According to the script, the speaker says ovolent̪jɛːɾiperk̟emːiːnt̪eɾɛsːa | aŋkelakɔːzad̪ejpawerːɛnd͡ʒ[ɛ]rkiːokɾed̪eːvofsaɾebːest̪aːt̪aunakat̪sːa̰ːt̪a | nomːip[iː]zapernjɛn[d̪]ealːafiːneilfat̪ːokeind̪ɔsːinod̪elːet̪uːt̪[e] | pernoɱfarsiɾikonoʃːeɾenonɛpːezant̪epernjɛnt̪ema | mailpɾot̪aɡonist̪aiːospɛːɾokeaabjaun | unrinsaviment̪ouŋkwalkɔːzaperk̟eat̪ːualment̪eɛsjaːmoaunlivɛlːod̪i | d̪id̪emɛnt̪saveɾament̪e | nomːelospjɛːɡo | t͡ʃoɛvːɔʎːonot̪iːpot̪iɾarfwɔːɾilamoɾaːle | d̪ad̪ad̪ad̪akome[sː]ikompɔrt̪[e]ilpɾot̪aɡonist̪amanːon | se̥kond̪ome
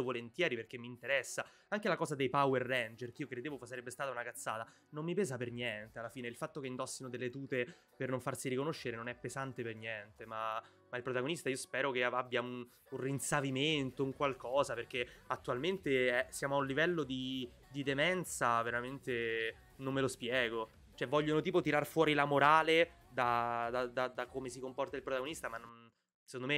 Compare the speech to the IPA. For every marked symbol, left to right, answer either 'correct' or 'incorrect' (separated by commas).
incorrect, incorrect, incorrect, correct, incorrect, incorrect